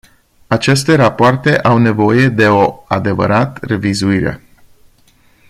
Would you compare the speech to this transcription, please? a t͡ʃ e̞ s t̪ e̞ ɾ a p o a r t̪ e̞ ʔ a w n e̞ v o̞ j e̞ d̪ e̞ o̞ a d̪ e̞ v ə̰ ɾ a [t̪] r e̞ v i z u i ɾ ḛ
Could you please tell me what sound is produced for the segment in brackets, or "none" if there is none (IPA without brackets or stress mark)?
t̪